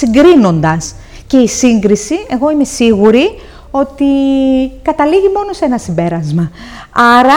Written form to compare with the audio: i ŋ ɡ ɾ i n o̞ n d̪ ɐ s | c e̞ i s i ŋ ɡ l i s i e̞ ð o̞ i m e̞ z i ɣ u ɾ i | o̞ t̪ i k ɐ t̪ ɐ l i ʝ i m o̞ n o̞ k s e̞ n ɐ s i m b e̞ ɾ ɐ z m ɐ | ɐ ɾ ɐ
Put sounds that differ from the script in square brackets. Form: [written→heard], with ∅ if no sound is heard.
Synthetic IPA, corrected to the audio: i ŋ ɡ ɾ i n o̞ n d̪ ɐ s | c e̞ i s i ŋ ɡ [l→ɾ] i s i e̞ [ð→ɣ] o̞ i m e̞ [z→s] i ɣ u ɾ i | o̞ t̪ i k ɐ t̪ ɐ l i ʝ i m o̞ n o̞ [k→∅] s e̞ n ɐ s i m b e̞ ɾ ɐ z m ɐ | ɐ ɾ ɐ